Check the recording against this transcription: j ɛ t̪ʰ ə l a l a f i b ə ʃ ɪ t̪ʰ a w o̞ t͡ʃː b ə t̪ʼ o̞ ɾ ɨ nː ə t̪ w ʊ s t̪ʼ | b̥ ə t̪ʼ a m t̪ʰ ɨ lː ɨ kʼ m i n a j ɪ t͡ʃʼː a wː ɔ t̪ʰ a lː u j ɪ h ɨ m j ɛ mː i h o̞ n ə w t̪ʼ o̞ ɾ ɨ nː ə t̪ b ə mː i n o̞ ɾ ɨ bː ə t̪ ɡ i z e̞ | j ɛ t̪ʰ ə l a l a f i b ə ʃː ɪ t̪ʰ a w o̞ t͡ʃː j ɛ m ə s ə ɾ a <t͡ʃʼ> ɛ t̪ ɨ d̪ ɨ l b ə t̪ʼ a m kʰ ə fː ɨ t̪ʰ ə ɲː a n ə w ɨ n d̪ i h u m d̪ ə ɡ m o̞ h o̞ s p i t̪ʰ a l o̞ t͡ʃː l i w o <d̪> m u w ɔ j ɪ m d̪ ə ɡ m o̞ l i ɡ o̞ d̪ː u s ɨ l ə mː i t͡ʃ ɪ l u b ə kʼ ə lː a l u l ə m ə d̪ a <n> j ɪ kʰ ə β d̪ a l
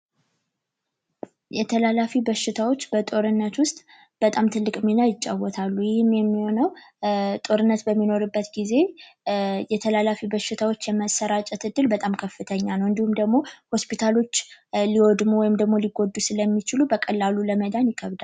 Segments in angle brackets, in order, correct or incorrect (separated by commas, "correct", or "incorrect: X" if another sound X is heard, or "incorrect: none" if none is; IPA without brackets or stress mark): correct, correct, correct